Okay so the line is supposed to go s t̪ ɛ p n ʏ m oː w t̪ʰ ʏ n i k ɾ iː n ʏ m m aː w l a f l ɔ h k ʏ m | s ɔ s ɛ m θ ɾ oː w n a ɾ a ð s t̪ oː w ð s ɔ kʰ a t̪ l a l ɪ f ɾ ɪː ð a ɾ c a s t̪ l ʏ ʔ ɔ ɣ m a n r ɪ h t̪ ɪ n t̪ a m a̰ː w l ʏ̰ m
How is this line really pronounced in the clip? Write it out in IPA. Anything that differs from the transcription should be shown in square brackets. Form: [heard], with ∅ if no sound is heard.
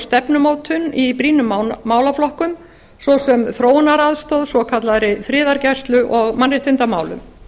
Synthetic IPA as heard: s t̪ ɛ p n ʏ m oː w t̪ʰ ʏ n i [p] ɾ iː n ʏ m m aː w l a f l ɔ h k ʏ m | s ɔ s ɛ m θ ɾ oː w n a ɾ a ð s t̪ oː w ð s ɔ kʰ a t̪ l a [ɾ] ɪ f ɾ ɪː ð a ɾ c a s t̪ l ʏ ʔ ɔ ɣ m a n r ɪ h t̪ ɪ n t̪ a m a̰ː w l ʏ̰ m